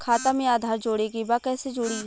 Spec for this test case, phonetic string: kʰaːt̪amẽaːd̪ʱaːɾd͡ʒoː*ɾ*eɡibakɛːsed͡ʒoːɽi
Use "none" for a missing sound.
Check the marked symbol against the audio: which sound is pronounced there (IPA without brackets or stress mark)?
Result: ɽ